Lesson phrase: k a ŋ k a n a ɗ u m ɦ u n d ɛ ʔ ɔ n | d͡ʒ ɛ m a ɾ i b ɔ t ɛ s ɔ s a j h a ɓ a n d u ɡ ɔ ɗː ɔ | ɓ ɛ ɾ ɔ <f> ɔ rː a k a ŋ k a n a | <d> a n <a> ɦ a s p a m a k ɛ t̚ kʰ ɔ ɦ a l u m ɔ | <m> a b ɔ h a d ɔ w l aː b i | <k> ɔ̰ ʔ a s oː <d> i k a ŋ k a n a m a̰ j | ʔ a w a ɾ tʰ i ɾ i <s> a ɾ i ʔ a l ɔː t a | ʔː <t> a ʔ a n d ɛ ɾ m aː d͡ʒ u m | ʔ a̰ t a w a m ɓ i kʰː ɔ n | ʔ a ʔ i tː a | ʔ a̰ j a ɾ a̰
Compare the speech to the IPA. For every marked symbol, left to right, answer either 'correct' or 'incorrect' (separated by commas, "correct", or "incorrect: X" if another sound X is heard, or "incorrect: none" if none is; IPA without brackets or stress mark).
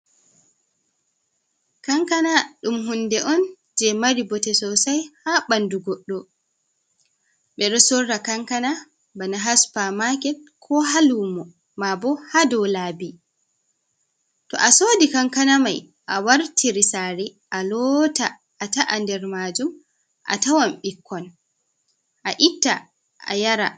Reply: incorrect: s, incorrect: b, correct, correct, incorrect: t, correct, correct, correct